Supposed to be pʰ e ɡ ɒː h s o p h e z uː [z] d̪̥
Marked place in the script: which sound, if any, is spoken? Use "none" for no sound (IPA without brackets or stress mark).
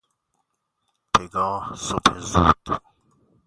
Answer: none